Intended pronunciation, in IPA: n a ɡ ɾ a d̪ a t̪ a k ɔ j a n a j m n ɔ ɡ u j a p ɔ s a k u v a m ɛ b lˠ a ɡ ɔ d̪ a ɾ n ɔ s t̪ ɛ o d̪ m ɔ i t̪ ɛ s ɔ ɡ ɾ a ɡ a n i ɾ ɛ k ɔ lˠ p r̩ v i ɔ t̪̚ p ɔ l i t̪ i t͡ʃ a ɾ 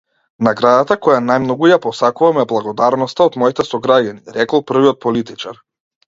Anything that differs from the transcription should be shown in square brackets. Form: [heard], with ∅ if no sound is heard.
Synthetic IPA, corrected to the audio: n a ɡ ɾ a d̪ a t̪ a k ɔ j a n a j m n ɔ ɡ u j a p ɔ s a k u v a m ɛ b lˠ a ɡ ɔ d̪ a ɾ n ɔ s t̪ [a] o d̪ m ɔ i t̪ ɛ s ɔ ɡ ɾ a [ɟ] a n i ɾ ɛ k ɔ lˠ p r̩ v i ɔ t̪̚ p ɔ l i t̪ i t͡ʃ a ɾ